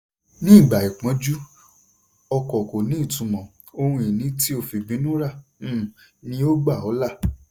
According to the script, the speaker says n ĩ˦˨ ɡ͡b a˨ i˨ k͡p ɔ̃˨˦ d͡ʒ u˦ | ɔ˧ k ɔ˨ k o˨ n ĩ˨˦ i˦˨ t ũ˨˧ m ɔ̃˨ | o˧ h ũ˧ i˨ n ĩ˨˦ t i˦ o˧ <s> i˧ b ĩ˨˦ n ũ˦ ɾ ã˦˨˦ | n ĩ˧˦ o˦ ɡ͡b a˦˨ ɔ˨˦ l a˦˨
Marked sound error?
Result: yes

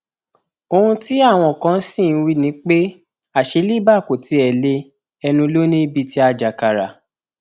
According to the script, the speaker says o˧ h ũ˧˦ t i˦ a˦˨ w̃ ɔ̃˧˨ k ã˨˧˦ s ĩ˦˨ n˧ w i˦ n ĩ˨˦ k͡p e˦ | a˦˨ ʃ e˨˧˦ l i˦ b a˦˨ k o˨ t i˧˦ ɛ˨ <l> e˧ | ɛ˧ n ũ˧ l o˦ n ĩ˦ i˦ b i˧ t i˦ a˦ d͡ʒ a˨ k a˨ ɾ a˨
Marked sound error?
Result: no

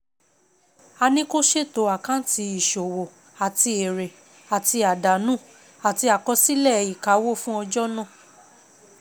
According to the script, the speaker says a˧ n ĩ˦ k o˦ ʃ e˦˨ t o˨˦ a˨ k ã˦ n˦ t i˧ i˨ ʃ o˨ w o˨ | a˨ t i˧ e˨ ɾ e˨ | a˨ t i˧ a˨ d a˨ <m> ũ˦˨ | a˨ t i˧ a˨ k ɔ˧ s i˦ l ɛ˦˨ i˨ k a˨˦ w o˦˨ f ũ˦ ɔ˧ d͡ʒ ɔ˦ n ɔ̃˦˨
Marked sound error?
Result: yes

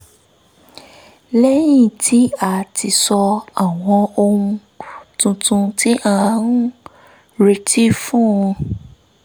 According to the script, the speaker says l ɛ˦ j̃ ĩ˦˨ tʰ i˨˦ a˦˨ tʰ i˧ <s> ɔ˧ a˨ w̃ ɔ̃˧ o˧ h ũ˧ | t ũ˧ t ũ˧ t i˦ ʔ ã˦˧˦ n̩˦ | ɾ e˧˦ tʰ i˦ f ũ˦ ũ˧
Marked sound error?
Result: no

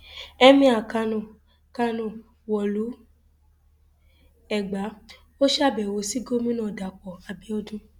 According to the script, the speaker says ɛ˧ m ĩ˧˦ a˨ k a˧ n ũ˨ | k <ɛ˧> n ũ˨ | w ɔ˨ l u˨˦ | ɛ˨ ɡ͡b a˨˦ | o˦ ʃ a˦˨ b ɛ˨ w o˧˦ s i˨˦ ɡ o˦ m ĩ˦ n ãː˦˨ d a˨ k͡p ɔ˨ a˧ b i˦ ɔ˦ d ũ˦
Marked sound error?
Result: yes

